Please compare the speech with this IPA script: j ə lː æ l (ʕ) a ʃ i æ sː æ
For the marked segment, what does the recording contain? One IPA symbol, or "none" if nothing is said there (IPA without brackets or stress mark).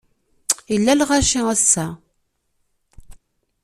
ʁ